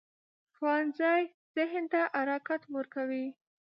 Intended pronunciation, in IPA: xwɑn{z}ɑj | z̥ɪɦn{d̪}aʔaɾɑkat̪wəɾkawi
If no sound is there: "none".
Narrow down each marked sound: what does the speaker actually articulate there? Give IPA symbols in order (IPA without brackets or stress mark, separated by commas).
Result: z, t̪